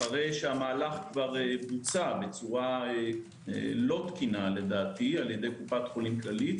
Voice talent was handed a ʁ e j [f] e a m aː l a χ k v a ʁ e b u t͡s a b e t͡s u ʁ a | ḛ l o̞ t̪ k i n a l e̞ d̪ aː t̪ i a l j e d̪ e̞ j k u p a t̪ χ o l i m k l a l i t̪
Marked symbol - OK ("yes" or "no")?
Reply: no